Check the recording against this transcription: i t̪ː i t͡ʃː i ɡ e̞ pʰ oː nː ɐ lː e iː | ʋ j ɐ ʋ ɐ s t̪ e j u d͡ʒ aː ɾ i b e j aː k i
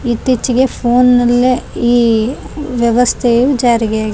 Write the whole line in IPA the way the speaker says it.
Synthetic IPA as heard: i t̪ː i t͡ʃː i ɡ e̞ pʰ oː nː ɐ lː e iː | ʋ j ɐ ʋ ɐ s t̪ʰ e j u d͡ʒ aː ɾ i ɡ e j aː ɡ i

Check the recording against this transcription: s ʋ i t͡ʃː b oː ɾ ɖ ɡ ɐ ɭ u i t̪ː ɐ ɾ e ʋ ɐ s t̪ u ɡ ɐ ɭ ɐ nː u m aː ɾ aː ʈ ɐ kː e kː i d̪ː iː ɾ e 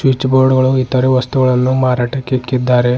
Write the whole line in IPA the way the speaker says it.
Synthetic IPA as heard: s ʋ i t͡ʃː b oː ɾ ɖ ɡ ɐ ɭ u i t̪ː ɐ ɾ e ʋ ɐ s t̪ u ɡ ɐ ɭ ɐ nː u m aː ɾ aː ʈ ɐ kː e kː i d̪ː aː ɾ e

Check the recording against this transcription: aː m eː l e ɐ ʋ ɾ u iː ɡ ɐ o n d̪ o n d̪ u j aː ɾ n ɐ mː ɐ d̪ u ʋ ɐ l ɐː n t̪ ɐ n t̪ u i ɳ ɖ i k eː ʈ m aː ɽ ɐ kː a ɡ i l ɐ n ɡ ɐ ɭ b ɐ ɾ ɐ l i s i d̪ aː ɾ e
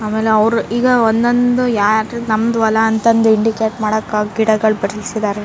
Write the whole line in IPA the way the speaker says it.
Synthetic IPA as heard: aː m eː l e ɐ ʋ ɾ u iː ɡ ɐ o n d̪ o n d̪ u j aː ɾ n ɐ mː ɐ d̪ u ʋ ɐ l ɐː n t̪ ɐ n d̪ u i ɳ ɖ i k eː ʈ m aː ɽ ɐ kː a ɡ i ɽ ɐ ɡ ɐ ɭ b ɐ ɾ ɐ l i s i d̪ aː ɾ e

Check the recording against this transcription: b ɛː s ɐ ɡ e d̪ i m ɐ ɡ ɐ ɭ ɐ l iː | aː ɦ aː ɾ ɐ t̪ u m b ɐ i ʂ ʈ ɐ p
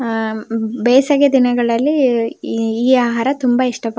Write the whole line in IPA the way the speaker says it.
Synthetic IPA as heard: b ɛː s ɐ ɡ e d̪ i n ɐ ɡ ɐ ɭ ɐ lː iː | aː ɦ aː ɾ ɐ t̪ u m b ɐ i ʂ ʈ ɐ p

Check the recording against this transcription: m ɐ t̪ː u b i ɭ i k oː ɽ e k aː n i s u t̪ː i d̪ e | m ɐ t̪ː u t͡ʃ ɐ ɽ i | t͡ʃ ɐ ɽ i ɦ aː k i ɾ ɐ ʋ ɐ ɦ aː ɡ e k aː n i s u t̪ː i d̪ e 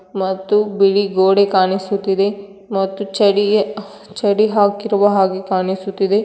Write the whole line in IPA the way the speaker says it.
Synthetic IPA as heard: m ɐ t̪ː u b i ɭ i ɡ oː ɽ e k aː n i s u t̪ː i d̪ e | m ɐ t̪ː u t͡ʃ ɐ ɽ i | t͡ʃ ɐ ɽ i ɦ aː k i ɾ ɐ ʋ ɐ ɦ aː ɡ e k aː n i s u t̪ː i d̪ e

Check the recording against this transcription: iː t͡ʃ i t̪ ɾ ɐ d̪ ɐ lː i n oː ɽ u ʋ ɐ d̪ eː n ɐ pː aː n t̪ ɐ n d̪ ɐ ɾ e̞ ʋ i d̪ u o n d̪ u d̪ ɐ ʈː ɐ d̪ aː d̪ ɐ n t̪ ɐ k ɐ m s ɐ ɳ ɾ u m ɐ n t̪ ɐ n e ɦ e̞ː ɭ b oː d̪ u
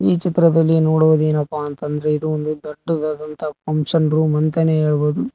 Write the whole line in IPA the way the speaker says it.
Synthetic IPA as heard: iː t͡ʃ i t̪ ɾ ɐ d̪ ɐ lː i n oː ɽ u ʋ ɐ d̪ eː n ɐ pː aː n t̪ ɐ n d̪ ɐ ɾ e̞ i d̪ u o n d̪ u d̪ ɐ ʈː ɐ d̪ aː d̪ ɐ n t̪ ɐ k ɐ m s ɐ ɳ ɾ u m ɐ n t̪ ɐ n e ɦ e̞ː ɭ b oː d̪ u

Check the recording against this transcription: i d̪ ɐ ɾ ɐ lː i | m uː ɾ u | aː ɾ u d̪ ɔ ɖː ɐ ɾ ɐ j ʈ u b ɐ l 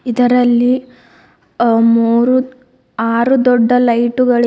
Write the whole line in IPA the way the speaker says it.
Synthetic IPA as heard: i d̪ ɐ ɾ ɐ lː i | m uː ɾ u | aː ɾ u d̪ ɔ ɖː ɐ l ɐ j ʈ u ɡ ɐ ɭ

